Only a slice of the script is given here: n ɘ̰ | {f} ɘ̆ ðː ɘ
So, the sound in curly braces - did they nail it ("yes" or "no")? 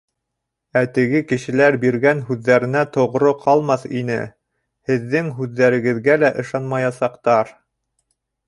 no